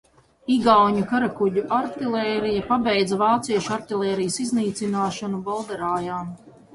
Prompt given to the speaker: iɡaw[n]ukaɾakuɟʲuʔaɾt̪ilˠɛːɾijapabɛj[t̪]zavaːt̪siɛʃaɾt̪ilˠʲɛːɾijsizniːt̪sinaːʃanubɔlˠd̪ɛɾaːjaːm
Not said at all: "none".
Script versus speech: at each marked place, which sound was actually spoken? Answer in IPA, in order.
ɲ, d̪

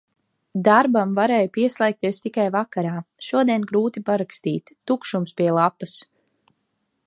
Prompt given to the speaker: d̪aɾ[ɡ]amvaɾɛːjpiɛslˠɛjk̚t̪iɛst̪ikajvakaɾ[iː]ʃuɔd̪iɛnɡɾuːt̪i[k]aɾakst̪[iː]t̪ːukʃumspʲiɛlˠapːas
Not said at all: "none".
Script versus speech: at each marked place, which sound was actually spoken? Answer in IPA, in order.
b, aː, p, iː

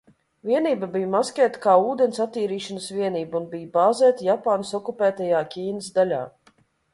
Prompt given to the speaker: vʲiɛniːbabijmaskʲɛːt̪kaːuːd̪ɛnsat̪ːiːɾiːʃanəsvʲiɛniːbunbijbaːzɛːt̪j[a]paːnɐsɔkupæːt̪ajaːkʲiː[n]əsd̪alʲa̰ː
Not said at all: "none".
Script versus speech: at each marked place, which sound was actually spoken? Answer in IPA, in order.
a, n

